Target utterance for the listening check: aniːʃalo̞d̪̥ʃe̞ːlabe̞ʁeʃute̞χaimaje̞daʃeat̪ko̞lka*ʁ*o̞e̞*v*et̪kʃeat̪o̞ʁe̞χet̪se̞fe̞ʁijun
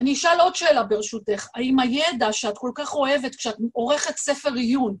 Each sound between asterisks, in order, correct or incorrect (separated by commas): incorrect, correct